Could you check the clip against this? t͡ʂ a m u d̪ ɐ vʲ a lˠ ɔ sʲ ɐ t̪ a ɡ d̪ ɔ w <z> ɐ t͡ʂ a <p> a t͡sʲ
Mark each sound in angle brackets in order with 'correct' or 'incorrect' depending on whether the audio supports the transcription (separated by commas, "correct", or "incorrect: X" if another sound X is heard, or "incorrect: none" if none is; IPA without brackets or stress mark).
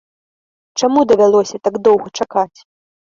incorrect: ɣ, incorrect: k